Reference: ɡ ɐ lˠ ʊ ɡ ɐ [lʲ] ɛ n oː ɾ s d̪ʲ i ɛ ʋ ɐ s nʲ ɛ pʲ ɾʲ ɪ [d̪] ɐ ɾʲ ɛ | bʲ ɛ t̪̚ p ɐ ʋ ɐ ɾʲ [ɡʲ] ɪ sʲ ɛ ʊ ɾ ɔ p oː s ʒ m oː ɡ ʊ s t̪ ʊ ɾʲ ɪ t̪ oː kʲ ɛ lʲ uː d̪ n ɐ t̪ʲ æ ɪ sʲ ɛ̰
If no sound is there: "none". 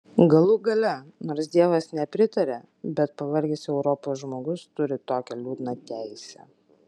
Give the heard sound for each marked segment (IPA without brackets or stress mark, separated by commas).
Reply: lʲ, t̪, ɡʲ